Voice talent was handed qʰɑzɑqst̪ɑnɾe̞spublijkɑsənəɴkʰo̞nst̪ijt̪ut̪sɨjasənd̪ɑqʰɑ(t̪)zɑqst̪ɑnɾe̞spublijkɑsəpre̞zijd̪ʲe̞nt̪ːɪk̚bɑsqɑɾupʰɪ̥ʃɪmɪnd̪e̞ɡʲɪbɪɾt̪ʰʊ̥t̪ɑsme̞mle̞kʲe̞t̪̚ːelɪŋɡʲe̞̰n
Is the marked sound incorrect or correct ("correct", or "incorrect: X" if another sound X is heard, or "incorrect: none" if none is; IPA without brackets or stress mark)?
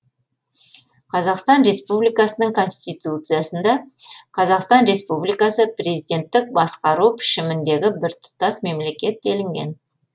incorrect: none